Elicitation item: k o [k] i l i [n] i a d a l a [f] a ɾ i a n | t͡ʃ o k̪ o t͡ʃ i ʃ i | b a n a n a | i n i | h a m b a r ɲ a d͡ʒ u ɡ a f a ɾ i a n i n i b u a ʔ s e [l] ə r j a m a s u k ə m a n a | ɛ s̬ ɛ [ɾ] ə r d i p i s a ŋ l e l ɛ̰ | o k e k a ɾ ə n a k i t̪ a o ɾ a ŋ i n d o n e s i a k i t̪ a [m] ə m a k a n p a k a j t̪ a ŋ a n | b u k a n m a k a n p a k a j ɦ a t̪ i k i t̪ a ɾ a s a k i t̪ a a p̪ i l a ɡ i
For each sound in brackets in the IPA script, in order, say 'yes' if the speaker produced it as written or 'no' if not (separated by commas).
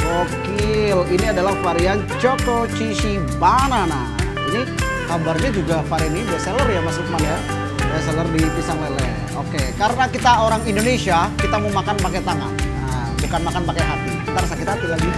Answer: yes, yes, yes, yes, no, yes